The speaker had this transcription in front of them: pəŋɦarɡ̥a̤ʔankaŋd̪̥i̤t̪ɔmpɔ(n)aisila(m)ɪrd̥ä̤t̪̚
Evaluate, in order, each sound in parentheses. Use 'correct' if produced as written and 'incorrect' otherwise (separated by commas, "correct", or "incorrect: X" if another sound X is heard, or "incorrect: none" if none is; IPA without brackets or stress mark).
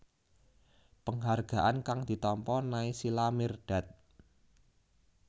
correct, correct